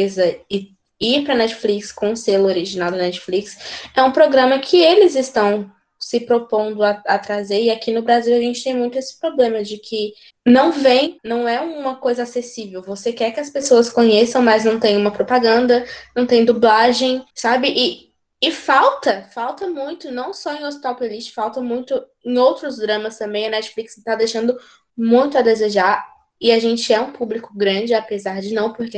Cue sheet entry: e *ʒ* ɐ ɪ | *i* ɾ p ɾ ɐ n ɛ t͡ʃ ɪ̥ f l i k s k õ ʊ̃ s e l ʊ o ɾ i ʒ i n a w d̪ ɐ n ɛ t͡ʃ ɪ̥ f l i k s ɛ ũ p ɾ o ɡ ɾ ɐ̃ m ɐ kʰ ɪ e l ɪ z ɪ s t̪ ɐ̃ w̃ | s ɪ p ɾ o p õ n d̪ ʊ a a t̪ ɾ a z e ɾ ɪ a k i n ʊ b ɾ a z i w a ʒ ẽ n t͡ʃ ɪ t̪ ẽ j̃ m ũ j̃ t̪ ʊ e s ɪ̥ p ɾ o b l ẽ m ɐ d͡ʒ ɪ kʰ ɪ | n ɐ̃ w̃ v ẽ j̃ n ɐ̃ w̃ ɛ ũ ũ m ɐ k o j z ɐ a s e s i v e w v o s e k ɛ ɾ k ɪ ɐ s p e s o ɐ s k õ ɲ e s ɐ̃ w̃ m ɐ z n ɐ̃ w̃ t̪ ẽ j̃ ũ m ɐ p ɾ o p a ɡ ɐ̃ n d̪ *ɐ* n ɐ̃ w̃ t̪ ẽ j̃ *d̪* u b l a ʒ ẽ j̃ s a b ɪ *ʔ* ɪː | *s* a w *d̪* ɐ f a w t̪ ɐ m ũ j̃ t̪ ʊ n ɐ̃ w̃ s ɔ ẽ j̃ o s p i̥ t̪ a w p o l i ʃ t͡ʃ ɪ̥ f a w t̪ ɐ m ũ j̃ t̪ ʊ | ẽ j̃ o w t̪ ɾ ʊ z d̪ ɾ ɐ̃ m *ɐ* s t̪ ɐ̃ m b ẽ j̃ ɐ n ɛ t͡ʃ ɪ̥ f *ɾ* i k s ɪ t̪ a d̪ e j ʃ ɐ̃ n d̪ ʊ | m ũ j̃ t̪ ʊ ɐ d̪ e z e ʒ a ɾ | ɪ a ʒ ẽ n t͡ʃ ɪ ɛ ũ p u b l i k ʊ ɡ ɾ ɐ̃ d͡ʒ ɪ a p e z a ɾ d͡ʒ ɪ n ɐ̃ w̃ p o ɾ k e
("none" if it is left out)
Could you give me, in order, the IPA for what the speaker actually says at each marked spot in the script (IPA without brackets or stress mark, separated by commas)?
z, i, ɐ, d̪, ʔ, f, t̪, ɐ, l